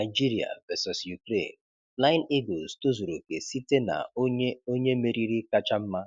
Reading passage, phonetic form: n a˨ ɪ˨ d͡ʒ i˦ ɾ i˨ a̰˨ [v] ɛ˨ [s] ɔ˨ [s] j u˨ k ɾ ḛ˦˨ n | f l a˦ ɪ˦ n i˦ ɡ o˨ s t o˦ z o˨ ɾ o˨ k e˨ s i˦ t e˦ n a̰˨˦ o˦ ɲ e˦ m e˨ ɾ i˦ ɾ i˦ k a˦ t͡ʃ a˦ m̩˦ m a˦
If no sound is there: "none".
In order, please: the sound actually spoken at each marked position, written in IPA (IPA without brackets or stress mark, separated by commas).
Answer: v, s, s